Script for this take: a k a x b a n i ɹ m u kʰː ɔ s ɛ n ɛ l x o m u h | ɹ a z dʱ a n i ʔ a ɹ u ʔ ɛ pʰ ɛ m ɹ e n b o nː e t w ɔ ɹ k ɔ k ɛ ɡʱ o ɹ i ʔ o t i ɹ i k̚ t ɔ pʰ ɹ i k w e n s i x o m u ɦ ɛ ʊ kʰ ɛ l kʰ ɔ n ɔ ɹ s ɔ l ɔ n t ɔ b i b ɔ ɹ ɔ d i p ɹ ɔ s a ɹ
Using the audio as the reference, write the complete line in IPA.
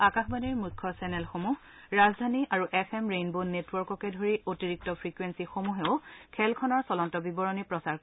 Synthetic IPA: a k a x b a n i ɹ m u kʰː ɔ s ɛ n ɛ l x o m u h | ɹ a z dʱ a n i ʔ a ɹ u ʔ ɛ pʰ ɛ m ɹ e n b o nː e t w ɔ ɹ k ɔ k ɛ dʱ o ɹ i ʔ o t i ɹ i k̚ t ɔ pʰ ɹ i k w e n s i x o m u ɦ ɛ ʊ kʰ ɛ l kʰ ɔ n ɔ ɹ s ɔ l ɔ n t ɔ b i b ɔ ɹ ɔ n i p ɹ ɔ s a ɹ

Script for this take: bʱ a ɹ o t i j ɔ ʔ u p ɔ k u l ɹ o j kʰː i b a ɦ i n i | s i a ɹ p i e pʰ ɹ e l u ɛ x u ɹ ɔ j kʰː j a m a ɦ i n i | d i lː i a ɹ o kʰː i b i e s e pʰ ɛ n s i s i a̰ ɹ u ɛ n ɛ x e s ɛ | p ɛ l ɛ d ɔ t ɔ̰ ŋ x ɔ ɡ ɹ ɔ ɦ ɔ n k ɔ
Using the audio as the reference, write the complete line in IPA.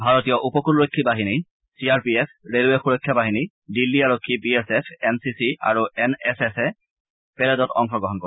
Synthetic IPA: bʱ a ɹ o t i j ɔ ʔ u p ɔ k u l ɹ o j kʰː i b a ɦ i n i | s i a ɹ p i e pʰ ɹ e l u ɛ x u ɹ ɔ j kʰː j a b a ɦ i n i | d i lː i a ɹ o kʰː i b i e s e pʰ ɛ n s i s i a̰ ɹ u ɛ n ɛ s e s ɛ | p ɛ l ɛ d ɔ t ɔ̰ ŋ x ɔ ɡ ɹ ɔ ɦ ɔ n k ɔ

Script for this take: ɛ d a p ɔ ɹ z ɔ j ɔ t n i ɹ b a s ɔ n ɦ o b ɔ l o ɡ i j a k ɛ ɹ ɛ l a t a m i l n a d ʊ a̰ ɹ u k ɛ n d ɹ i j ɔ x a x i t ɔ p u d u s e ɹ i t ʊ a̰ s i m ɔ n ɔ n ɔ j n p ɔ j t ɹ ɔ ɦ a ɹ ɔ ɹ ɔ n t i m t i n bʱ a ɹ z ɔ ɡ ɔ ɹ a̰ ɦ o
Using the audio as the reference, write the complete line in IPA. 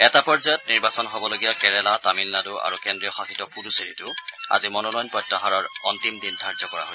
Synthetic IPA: ɛ t a p ɔ ɹ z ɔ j ɔ t n i ɹ b a s ɔ n ɦ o b ɔ l o ɡ i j a k ɛ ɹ ɛ l a t a m i l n a d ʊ a̰ ɹ u k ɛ n d ɹ i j ɔ x a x i t ɔ p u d u s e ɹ i t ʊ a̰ z i m ɔ n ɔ n ɔ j n p ɔ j t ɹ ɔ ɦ a ɹ ɔ ɹ ɔ n t i m d i n dʱ a ɹ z ɔ k ɔ ɹ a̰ ɦ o

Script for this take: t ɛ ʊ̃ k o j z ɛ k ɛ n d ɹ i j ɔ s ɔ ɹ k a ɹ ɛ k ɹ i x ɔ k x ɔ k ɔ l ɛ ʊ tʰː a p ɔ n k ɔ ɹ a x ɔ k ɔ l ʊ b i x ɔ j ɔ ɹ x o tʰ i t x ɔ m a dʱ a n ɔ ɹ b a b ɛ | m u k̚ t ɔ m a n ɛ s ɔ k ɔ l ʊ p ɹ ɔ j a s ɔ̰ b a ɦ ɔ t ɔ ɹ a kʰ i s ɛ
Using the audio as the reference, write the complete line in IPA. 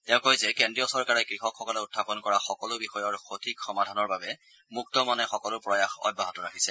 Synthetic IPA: t ɛ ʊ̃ k o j z ɛ k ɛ n d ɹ i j ɔ s ɔ ɹ k a ɹ ɛ k ɹ i x ɔ k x ɔ k ɔ l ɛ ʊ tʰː a p ɔ n k ɔ ɹ a x ɔ k ɔ l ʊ b i x ɔ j ɔ ɹ x o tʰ i k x ɔ m a dʱ a n ɔ ɹ b a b ɛ | m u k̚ t ɔ m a n ɛ x ɔ k ɔ l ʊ p ɹ ɔ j a x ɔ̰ b a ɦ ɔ t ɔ ɹ a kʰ i s ɛ

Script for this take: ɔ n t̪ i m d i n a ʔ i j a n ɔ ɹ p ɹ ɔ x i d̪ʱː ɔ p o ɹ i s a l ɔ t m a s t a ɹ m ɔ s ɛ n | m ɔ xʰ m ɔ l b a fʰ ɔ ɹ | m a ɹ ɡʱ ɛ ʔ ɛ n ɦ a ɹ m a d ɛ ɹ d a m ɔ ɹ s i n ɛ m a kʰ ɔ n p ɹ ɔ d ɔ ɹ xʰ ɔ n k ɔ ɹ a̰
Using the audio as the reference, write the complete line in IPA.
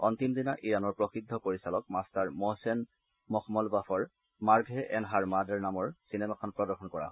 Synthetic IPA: ɔ n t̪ i m d i n a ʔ i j a n ɔ ɹ p ɹ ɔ x i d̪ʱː ɔ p o ɹ i s a l ɔ k m a s t a ɹ m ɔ s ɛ n | m ɔ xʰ m ɔ l b a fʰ ɔ ɹ | m a ɹ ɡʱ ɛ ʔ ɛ n ɦ a ɹ m a d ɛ ɹ n a m ɔ ɹ s i n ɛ m a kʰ ɔ n p ɹ ɔ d ɔ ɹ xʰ ɔ n k ɔ ɹ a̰

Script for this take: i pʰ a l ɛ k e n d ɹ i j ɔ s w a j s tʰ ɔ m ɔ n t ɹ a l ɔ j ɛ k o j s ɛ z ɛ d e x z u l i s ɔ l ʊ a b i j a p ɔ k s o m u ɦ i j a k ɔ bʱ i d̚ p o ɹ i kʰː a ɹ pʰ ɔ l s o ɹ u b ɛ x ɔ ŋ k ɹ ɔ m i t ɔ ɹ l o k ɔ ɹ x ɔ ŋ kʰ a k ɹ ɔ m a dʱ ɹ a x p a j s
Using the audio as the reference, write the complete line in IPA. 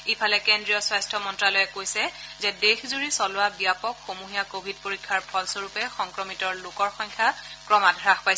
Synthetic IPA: i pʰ a l ɛ k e n d ɹ i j ɔ s w a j s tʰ ɔ m ɔ n t ɹ a l ɔ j ɛ k o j s ɛ z ɛ d e x z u ɹ i s ɔ l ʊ a b i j a p ɔ k x o m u ɦ i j a k o bʱ i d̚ p o ɹ i kʰː a ɹ pʰ ɔ l s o ɹ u p ɛ x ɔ ŋ k ɹ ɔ m i t ɔ ɹ l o k ɔ ɹ x ɔ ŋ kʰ a k ɹ ɔ m a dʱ ɹ a x p a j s

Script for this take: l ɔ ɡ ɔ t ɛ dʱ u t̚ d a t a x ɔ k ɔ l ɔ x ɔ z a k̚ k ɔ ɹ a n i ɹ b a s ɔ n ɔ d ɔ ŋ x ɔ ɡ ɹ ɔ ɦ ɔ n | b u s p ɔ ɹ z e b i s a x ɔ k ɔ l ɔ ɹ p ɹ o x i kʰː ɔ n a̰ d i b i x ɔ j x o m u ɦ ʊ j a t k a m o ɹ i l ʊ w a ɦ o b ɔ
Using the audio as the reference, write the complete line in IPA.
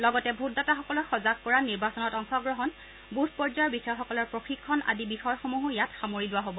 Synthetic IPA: l ɔ ɡ ɔ t ɛ bʱ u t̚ d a t a x ɔ k ɔ l ɔ x ɔ z a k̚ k ɔ ɹ a n i ɹ b a s ɔ n ɔ t ɔ ŋ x ɔ ɡ ɹ ɔ ɦ ɔ n | b u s p ɔ ɹ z a b i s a x ɔ k ɔ l ɔ ɹ p ɹ o x i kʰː ɔ n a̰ d i b i x ɔ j x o m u ɦ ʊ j a t x a m o ɹ i l ʊ w a ɦ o b ɔ

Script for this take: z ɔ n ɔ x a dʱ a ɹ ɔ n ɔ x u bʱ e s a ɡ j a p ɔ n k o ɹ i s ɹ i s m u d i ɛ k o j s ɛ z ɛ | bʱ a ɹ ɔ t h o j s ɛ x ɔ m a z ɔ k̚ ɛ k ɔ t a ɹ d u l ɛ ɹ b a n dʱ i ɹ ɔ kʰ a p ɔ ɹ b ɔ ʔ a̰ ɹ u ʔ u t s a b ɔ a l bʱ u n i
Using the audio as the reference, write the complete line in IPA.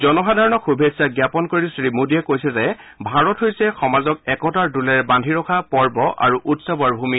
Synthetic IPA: z ɔ n ɔ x a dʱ a ɹ ɔ n ɔ x u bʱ e s a ɡ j a p ɔ n k o ɹ i s ɹ i m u d i ɛ k o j s ɛ z ɛ | bʱ a ɹ ɔ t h o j s ɛ x ɔ m a z ɔ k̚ ɛ k ɔ t a ɹ d u l ɛ ɹ b a n dʱ i ɹ ɔ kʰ a p ɔ ɹ b ɔ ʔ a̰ ɹ u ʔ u t s a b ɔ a ɹ bʱ u m i

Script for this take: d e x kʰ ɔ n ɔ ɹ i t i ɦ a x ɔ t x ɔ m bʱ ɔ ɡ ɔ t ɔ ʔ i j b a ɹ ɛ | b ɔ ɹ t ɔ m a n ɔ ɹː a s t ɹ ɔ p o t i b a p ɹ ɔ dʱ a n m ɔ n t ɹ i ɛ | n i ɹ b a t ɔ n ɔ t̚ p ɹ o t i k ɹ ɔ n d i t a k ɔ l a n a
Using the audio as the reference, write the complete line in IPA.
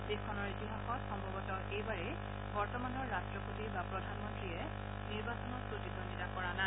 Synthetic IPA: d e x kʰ ɔ n ɔ ɹ i t i ɦ a x ɔ t x ɔ m bʱ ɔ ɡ ɔ t ɔ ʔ e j b a ɹ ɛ | b ɔ ɹ t ɔ m a n ɔ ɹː a s t ɹ ɔ p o t i b a p ɹ ɔ dʱ a n m ɔ n t ɹ i ɛ | n i ɹ b a s ɔ n ɔ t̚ p ɹ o t i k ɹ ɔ n d i t a k ɔ ɹ a n a

